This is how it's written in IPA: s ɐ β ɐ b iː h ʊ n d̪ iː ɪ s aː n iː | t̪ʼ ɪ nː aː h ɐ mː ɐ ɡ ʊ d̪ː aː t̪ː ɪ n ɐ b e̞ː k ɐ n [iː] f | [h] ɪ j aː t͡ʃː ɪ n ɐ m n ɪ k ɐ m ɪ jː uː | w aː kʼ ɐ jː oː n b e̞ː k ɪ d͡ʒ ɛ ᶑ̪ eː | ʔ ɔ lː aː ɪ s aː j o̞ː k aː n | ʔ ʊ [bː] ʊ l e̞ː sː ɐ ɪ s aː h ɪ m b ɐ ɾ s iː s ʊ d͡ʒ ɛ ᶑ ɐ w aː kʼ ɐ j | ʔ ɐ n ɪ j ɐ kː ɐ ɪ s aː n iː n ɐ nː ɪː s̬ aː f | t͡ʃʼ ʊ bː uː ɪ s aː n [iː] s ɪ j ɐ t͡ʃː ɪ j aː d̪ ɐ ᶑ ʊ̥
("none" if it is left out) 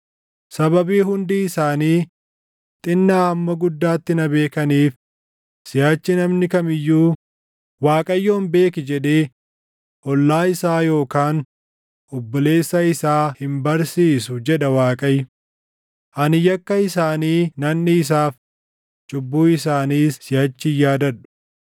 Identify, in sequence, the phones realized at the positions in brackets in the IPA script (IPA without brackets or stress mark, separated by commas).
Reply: iː, s, bː, iː